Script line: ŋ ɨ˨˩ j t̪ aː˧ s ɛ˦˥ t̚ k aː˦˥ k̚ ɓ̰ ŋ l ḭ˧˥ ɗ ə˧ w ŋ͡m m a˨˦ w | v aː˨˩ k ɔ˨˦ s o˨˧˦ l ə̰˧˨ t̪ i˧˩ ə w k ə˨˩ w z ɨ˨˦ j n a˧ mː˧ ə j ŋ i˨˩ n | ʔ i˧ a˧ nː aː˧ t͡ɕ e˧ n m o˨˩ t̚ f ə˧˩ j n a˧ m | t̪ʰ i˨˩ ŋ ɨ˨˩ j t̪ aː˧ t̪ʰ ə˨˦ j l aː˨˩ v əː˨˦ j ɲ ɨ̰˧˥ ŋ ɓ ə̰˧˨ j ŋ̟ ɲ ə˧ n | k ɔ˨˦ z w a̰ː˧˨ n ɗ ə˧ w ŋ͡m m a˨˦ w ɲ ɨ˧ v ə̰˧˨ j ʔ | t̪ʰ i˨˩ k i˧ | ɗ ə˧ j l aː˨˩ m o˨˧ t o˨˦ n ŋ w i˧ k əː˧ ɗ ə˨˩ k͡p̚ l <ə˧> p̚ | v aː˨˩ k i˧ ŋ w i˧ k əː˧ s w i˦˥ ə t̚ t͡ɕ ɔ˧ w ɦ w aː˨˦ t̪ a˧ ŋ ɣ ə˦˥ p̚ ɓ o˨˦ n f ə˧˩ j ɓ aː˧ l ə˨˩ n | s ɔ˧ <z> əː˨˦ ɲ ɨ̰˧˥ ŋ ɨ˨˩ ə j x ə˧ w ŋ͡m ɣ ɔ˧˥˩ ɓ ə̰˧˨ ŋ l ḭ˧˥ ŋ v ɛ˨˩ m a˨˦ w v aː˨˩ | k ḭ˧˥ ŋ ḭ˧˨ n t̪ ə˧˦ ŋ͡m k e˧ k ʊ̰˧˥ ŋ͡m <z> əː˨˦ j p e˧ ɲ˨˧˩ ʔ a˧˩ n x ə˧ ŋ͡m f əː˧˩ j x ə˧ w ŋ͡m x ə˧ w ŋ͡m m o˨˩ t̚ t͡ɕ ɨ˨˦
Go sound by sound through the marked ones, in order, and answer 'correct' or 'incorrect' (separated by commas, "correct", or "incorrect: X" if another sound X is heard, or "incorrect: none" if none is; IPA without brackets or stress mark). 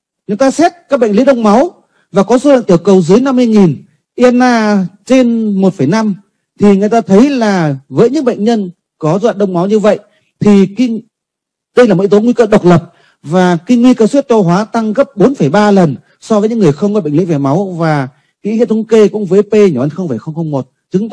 incorrect: ə˨˩, incorrect: v, incorrect: v